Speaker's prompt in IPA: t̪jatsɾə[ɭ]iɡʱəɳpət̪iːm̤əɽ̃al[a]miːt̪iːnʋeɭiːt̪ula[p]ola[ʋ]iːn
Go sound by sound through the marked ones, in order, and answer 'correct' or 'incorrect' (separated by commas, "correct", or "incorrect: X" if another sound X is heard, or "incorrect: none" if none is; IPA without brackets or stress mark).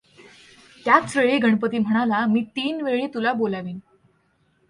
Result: correct, correct, incorrect: b, correct